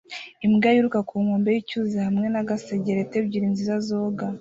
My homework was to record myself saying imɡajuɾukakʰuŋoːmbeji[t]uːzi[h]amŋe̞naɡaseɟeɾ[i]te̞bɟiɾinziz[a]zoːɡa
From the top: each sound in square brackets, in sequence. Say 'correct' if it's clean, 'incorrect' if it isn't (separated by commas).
incorrect, correct, incorrect, correct